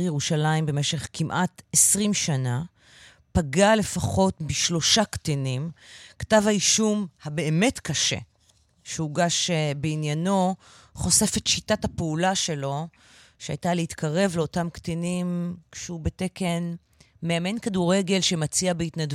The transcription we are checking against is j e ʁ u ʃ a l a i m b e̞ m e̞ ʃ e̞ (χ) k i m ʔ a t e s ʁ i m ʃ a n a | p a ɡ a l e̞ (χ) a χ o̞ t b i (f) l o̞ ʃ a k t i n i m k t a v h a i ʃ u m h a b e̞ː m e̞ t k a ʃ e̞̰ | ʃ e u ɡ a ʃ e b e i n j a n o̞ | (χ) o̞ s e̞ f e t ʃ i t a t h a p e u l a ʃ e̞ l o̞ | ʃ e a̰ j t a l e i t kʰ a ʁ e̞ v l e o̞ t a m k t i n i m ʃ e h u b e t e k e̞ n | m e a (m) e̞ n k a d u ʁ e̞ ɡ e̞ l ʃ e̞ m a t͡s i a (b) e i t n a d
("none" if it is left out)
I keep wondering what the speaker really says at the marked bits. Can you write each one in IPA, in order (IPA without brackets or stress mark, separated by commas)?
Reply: χ, f, ʃ, χ, m, b